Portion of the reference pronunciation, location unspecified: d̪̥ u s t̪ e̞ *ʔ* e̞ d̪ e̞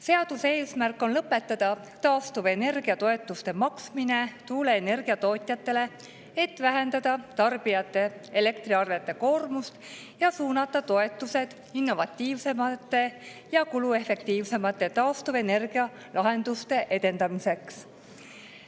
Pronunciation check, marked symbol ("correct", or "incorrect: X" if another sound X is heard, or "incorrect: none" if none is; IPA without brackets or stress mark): correct